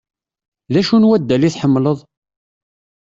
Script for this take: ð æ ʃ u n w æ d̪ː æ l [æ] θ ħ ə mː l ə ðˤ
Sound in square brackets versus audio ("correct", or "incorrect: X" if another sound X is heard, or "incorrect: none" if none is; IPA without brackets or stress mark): incorrect: i